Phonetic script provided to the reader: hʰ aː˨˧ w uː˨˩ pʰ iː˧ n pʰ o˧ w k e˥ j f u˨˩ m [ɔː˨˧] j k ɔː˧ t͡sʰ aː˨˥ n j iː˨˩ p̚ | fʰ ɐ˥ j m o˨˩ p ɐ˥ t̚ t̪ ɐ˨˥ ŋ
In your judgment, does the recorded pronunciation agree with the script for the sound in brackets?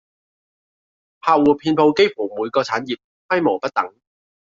no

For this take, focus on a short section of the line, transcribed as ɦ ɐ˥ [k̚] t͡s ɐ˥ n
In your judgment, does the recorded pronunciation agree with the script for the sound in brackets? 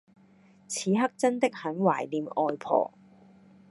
yes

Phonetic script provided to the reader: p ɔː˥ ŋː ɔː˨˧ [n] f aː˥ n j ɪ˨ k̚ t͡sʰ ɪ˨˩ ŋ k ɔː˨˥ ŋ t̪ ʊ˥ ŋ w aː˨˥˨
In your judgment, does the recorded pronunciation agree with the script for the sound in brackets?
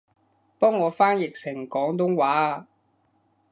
no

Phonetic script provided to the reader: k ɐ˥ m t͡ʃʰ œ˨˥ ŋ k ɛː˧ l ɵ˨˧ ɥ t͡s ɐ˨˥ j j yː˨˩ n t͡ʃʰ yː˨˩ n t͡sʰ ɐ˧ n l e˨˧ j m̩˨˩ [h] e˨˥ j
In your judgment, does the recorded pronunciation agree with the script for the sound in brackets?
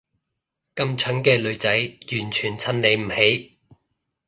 yes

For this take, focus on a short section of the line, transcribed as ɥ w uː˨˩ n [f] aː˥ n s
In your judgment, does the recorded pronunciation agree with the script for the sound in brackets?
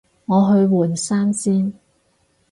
no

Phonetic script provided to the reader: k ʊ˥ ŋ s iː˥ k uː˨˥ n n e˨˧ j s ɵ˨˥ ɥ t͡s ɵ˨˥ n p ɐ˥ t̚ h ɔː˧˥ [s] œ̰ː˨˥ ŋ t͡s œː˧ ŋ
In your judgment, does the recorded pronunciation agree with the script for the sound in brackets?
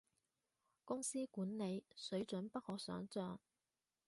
yes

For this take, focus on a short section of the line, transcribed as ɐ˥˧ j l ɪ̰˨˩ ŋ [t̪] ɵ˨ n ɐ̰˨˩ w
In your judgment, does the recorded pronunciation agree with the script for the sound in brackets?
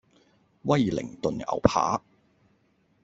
yes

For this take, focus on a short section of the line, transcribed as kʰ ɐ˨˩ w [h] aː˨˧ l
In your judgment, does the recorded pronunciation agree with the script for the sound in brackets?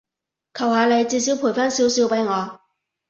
yes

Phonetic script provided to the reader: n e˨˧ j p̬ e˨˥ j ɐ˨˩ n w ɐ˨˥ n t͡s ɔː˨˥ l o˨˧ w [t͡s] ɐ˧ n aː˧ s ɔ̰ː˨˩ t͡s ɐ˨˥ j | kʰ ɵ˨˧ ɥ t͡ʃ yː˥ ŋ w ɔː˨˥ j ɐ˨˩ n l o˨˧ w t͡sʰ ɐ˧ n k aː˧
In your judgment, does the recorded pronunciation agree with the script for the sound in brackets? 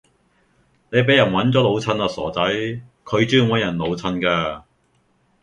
no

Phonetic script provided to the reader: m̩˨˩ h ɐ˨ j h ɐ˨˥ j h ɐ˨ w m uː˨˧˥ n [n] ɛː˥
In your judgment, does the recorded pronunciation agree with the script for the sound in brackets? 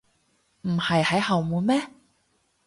no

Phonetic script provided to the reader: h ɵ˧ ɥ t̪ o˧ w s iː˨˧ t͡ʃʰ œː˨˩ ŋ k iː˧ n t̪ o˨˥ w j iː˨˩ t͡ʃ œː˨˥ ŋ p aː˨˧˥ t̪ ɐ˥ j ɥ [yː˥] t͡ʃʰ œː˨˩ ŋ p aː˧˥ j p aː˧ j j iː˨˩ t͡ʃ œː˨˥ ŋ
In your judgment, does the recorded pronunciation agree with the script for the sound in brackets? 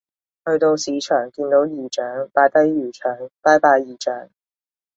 no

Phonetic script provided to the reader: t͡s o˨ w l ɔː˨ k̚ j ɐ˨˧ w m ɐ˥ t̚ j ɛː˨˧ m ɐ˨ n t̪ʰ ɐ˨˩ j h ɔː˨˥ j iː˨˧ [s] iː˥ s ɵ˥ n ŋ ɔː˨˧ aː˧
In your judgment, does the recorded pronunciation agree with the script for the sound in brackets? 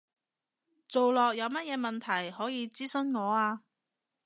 no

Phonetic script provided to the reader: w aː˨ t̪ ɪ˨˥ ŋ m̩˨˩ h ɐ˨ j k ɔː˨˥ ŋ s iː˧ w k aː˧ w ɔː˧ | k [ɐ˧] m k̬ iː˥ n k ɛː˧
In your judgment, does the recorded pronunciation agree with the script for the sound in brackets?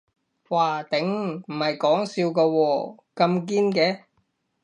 yes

